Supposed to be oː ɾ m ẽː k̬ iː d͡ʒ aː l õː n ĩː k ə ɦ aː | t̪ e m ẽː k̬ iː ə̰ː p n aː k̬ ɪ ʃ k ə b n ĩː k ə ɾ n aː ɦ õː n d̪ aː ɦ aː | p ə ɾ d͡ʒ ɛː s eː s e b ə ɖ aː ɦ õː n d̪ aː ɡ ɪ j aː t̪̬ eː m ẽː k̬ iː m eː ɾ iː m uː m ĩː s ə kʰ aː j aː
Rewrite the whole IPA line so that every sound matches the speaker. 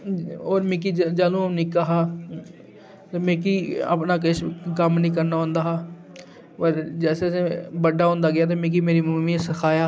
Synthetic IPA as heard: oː ɾ m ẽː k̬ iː d͡ʒ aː l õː n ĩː k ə ɦ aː | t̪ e m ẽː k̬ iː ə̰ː p n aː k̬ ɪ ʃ k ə m n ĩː k ə ɾ n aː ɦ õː n d̪ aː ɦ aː | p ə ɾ d͡ʒ ɛː s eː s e b ə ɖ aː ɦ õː n d̪ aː ɡ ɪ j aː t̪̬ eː m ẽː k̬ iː m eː ɾ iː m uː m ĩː s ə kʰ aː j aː